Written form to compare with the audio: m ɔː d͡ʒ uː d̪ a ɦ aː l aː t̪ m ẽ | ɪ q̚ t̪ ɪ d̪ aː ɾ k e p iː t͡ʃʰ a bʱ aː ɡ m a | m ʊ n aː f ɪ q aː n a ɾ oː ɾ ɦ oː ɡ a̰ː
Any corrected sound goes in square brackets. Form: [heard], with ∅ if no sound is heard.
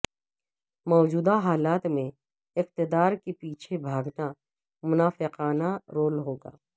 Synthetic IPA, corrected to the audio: m ɔː d͡ʒ uː d̪ a ɦ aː l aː t̪ m ẽ | ɪ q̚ t̪ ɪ d̪ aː ɾ k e p iː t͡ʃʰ [e] bʱ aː ɡ [n] a | m ʊ n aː f ɪ q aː n a ɾ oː [l] ɦ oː ɡ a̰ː